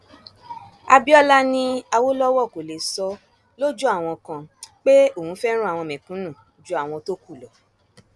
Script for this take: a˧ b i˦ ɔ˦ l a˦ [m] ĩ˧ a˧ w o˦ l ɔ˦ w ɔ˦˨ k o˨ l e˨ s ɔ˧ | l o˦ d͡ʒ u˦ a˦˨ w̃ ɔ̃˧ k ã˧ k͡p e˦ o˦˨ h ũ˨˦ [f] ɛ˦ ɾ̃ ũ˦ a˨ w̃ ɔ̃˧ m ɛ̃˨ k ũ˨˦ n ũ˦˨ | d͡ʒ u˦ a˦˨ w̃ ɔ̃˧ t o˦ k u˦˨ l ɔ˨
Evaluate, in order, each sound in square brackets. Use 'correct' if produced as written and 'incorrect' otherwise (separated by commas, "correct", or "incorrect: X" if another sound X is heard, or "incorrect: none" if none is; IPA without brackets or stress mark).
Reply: incorrect: n, correct